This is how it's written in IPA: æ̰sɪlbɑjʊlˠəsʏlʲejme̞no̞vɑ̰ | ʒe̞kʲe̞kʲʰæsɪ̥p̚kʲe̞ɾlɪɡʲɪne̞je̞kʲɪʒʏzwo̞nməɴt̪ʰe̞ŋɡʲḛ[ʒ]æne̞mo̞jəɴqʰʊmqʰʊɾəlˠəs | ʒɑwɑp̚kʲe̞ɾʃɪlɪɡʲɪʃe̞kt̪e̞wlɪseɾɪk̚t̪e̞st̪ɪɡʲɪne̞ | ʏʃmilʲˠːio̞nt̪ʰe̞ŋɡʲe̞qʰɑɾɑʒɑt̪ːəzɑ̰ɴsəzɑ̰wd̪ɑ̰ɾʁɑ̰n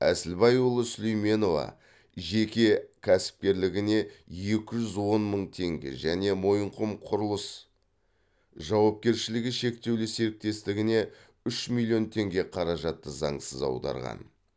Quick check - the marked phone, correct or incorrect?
correct